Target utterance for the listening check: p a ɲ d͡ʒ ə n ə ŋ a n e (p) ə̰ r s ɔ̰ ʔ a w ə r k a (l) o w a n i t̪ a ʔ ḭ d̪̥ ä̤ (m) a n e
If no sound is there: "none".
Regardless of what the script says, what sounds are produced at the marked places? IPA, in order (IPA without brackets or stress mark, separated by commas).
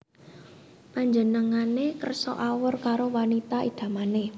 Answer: k, ɾ, m